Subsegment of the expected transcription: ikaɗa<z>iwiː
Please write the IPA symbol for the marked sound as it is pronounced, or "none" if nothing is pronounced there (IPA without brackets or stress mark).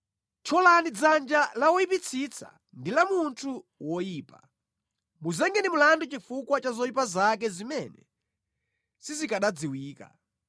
d͡z